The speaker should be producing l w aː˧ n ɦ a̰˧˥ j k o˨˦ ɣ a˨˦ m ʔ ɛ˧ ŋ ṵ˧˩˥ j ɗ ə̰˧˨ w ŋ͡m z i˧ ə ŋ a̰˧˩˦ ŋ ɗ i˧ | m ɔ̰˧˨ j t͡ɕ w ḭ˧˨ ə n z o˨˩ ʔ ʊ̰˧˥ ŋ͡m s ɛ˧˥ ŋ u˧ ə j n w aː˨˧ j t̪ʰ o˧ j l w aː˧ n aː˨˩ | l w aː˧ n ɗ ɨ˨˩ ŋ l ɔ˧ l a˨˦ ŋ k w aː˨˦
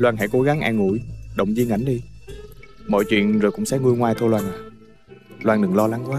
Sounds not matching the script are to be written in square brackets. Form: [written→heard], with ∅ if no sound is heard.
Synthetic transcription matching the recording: l w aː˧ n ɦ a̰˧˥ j k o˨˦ ɣ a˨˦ [m→ŋ] ʔ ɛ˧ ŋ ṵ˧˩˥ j ɗ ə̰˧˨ w ŋ͡m z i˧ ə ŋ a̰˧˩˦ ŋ ɗ i˧ | m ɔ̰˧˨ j t͡ɕ w ḭ˧˨ ə n z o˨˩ [ʔ→k] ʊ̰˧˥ ŋ͡m s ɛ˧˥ ŋ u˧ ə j [n→ŋ] w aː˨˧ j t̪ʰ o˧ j l w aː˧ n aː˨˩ | l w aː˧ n ɗ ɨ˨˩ ŋ l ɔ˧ l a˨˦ ŋ k w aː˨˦